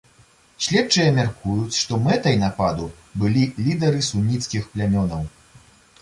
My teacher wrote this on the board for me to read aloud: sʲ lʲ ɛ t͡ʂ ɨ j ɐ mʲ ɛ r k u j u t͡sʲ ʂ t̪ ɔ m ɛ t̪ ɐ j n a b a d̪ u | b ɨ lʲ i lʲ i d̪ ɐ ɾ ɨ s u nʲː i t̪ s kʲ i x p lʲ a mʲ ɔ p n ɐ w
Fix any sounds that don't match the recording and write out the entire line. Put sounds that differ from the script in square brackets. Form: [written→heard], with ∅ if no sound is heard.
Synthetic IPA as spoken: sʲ lʲ ɛ t͡ʂ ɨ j ɐ mʲ [ɛ→a] r k u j u t͡sʲ ʂ t̪ ɔ m ɛ t̪ ɐ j n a [b→p] a d̪ u | b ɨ lʲ i lʲ i d̪ ɐ ɾ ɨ s u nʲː i t̪ s kʲ i x p lʲ a mʲ ɔ [p→∅] n ɐ w